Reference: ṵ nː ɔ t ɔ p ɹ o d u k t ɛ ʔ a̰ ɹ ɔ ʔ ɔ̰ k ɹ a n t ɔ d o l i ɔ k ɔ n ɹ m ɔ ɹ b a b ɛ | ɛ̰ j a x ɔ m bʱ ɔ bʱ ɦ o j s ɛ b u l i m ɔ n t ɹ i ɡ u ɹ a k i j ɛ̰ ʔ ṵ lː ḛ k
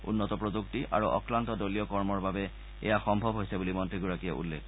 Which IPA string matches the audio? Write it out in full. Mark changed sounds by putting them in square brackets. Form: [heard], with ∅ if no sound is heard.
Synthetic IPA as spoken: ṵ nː ɔ t ɔ p ɹ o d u k t [i] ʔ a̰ ɹ [u] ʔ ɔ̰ k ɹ a n t ɔ d o l i ɔ k ɔ [∅] ɹ m ɔ ɹ b a b ɛ | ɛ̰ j a x ɔ m bʱ ɔ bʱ ɦ o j s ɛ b u l i m ɔ n t ɹ i ɡ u ɹ a k i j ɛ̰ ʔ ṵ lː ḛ k